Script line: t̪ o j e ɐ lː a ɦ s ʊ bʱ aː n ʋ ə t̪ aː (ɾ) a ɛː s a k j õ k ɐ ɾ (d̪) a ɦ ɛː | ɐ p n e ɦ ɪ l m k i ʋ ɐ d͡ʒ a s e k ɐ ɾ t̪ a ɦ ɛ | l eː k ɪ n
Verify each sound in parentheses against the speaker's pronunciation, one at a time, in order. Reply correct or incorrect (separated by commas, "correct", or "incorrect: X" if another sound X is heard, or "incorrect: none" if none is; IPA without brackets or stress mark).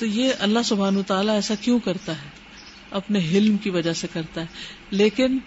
incorrect: l, incorrect: t̪